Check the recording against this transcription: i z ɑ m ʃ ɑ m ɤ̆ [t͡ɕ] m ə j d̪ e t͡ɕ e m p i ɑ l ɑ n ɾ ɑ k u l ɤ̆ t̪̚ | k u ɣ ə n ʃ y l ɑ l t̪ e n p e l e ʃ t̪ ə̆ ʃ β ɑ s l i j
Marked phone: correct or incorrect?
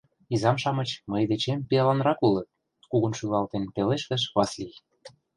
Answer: correct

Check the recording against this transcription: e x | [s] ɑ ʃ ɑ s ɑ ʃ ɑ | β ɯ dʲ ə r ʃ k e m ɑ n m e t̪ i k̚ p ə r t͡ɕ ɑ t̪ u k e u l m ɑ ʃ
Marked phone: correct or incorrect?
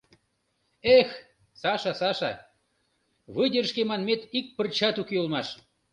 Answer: correct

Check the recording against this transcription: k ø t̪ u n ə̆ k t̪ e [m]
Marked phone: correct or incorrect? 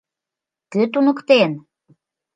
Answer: incorrect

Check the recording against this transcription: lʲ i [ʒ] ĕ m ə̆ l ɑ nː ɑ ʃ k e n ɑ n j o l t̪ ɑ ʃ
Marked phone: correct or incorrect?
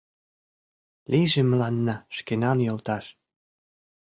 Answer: correct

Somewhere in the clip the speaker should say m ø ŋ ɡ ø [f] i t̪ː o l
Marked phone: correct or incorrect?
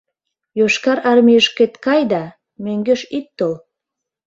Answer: incorrect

